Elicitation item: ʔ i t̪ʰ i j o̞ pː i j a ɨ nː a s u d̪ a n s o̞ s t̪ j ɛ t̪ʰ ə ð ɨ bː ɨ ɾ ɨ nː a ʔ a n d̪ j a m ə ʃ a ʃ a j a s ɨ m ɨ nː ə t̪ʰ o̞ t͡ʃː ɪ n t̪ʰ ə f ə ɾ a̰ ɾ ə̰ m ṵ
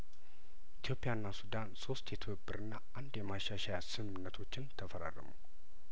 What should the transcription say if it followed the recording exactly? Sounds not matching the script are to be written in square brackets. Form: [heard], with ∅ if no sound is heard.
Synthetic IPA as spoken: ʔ i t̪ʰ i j o̞ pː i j a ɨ nː a s u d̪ a n s o̞ s t̪ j ɛ t̪ʰ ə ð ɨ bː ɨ ɾ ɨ nː a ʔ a n d̪ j [ɛ] m [a] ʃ a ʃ a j a s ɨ m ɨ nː ə t̪ʰ o̞ t͡ʃː ɪ n t̪ʰ ə f ə ɾ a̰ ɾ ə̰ m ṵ